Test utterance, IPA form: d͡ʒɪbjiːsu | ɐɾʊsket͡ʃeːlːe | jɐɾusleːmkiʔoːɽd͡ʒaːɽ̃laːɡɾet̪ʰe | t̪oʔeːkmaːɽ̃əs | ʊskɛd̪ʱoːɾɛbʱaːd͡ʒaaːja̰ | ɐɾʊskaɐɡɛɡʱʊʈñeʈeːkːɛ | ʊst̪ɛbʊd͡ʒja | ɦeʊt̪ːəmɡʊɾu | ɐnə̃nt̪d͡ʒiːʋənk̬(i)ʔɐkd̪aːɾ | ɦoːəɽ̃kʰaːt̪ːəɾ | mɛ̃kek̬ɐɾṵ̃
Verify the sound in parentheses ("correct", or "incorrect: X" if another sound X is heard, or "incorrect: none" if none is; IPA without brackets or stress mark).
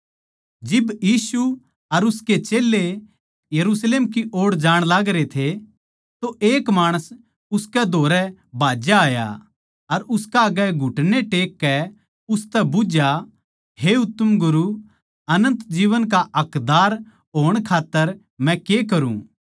incorrect: a